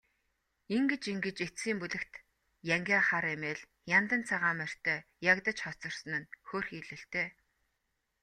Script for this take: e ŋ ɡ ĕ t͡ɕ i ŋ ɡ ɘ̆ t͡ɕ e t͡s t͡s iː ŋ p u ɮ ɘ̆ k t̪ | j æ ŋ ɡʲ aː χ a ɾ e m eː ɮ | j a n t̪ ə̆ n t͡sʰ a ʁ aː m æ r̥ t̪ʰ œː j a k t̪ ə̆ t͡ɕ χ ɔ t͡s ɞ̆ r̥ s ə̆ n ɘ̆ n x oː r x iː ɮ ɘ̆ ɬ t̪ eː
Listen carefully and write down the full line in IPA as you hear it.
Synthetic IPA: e ŋ ɡ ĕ t͡ɕ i ŋ ɡ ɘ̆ t͡ɕ e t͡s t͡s iː m p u ɮ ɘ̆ k t̪ | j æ ŋ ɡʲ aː χ a ɾ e m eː ɮ | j a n t̪ ə̆ n t͡sʰ a ʁ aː m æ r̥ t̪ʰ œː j a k t̪ ə̆ t͡ɕ χ ɔ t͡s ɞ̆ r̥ s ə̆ n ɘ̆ n x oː r x iː ɮ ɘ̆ ɬ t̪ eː